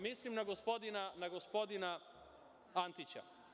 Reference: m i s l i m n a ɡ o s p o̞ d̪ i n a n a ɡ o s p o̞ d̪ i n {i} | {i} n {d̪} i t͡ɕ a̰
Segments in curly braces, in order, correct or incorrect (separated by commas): incorrect, incorrect, incorrect